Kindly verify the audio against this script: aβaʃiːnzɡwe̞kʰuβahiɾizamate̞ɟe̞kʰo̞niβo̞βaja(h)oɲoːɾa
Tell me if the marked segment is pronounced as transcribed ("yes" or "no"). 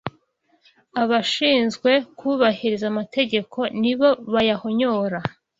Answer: yes